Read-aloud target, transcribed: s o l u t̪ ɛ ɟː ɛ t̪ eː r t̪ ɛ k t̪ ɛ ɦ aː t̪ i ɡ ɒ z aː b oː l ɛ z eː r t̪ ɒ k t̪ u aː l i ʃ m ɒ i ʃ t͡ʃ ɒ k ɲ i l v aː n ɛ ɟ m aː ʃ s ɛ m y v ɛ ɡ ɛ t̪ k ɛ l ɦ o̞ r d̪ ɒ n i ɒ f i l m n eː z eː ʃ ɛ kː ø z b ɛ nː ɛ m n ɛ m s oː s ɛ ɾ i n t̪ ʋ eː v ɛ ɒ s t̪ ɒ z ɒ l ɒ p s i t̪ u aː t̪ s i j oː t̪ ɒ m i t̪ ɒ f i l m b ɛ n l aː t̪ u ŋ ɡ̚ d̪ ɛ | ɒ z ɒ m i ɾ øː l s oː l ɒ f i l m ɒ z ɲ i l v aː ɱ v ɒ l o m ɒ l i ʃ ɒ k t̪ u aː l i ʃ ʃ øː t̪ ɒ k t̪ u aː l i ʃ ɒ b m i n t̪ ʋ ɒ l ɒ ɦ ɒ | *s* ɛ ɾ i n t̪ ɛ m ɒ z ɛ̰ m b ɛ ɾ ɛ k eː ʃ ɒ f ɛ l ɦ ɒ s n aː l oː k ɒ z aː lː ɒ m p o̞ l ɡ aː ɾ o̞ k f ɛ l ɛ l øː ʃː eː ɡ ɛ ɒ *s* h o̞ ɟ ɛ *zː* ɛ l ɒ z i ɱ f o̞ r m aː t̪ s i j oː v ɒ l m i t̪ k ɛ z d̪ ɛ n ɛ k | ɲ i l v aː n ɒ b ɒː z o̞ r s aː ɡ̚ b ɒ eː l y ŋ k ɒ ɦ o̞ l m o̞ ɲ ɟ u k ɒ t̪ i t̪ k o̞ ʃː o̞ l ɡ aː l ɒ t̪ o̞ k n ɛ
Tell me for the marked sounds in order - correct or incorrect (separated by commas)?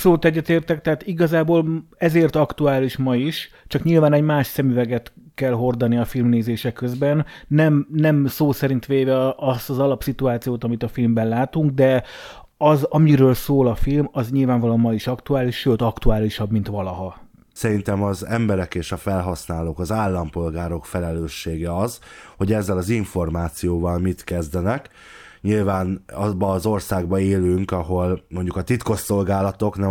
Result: correct, incorrect, correct